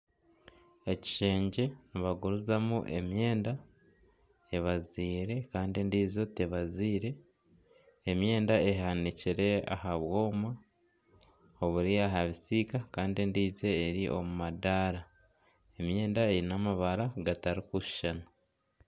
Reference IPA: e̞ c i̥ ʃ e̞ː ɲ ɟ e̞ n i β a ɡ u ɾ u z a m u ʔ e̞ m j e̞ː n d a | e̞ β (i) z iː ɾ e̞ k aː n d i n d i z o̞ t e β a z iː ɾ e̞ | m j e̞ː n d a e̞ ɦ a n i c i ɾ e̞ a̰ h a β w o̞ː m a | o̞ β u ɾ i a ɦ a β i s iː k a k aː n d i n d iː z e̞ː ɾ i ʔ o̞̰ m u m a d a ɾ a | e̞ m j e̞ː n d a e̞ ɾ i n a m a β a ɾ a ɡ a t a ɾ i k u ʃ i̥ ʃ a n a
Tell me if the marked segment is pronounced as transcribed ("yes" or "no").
no